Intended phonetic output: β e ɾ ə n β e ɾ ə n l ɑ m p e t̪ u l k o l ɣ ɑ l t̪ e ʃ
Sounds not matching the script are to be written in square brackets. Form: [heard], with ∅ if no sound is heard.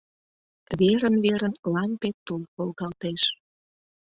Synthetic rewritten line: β e ɾ ə n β e ɾ ə n l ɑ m p e t̪ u l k o l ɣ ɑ l t̪ e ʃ